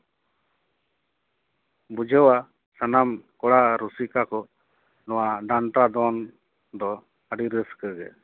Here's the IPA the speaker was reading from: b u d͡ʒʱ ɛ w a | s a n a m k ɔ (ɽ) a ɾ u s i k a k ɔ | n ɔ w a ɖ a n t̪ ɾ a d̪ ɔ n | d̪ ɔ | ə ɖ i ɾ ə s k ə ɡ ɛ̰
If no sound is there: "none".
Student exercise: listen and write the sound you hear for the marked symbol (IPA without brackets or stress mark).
ɽ